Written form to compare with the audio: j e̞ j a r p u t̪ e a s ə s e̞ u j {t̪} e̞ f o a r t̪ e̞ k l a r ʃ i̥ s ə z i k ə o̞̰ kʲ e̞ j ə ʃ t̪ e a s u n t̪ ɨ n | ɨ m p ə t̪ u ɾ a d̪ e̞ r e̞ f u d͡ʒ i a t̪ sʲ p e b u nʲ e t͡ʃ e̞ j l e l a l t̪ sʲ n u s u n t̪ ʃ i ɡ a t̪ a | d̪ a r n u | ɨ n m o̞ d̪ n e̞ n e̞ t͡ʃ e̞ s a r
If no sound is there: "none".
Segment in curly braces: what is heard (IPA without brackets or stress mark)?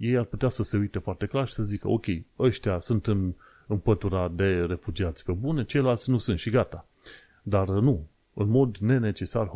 t̪